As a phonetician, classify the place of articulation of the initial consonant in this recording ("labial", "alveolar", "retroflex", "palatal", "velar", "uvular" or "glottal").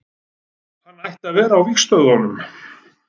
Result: glottal